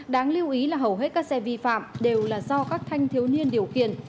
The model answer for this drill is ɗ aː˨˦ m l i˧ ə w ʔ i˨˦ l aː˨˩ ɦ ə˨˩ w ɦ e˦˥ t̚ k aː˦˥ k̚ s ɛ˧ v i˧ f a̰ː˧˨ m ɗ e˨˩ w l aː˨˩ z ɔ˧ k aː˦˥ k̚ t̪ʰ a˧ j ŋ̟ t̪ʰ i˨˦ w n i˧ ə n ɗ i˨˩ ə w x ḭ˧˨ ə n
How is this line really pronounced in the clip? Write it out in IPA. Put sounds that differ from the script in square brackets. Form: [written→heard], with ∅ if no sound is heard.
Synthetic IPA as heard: ɗ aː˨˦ [m→ŋ] l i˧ ə w ʔ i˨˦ l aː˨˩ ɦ ə˨˩ w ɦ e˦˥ t̚ k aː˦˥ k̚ s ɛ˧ v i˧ f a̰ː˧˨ m ɗ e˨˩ w l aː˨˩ z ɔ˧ k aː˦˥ k̚ t̪ʰ a˧ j ŋ̟ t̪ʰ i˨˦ w n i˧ ə n ɗ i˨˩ ə w x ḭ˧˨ ə n